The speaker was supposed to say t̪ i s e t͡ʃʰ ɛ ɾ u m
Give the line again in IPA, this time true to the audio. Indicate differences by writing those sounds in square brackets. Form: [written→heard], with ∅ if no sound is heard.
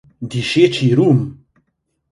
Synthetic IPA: [t̪→d̪] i [s→ʃ] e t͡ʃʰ [ɛ→i] ɾ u m